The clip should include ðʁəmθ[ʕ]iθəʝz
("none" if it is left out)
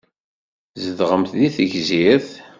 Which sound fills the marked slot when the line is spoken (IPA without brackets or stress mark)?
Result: ð